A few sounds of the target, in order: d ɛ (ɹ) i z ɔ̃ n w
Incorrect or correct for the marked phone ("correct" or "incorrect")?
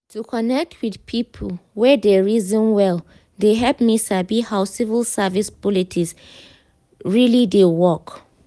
correct